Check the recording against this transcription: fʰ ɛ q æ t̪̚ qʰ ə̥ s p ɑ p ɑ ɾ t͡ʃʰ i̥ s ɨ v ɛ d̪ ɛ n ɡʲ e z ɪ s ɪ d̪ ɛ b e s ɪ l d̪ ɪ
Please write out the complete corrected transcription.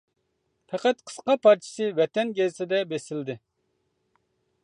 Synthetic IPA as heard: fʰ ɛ q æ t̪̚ qʰ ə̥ s q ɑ p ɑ ɾ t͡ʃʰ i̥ s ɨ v ɛ t̪ ɛ n ɡʲ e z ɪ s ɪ d̪ ɛ b e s ɪ l d̪ ɪ